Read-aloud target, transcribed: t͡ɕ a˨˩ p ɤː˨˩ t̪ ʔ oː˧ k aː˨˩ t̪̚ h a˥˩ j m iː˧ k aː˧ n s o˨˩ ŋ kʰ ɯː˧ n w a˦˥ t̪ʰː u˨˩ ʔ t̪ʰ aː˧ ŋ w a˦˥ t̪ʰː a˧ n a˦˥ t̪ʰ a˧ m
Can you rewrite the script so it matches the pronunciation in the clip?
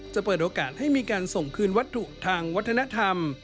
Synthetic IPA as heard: t͡ɕ a˨˩ p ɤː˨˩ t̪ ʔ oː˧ k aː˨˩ t̪̚ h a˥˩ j m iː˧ k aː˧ n s o˨˩ ŋ kʰ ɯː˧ n w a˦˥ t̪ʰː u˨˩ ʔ t̪ʰ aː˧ ŋ w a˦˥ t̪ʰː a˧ n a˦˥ t̪ʰ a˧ m